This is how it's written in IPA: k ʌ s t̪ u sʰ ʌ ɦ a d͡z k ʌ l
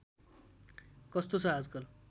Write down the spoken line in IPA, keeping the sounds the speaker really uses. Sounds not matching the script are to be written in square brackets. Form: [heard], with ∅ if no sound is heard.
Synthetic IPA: k ʌ s t̪ [o] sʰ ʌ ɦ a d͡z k ʌ l